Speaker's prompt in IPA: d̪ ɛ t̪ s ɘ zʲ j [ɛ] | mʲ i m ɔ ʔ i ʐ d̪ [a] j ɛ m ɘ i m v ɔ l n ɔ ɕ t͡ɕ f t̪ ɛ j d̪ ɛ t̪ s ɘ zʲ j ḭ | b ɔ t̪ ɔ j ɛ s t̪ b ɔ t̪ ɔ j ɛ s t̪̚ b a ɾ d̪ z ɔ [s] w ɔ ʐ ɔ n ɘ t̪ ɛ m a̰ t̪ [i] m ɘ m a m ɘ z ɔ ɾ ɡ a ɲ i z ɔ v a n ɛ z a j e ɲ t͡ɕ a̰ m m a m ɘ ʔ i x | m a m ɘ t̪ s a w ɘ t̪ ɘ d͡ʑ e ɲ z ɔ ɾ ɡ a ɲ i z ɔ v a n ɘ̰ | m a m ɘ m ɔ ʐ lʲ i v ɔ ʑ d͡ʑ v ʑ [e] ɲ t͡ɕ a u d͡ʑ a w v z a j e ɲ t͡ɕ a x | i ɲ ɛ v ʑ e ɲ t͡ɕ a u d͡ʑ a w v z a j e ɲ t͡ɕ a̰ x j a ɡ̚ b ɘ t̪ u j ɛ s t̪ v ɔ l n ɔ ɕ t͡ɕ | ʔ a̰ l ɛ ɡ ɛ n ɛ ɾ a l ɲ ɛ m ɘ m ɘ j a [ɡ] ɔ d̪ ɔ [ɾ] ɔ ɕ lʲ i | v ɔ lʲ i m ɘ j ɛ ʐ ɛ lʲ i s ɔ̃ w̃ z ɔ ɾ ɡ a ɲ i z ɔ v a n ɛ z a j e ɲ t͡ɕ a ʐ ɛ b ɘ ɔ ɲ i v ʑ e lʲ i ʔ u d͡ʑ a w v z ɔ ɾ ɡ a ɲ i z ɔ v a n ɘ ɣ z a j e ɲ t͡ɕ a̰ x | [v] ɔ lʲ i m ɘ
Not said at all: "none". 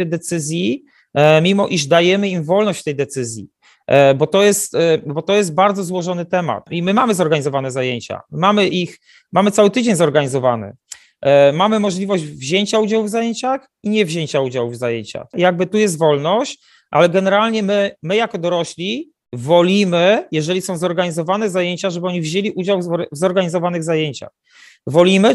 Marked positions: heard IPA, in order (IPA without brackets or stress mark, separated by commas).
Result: i, a, z, i, e, k, ɾ, v